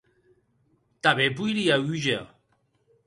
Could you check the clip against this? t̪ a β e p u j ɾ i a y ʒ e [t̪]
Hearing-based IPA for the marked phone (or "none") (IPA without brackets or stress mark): none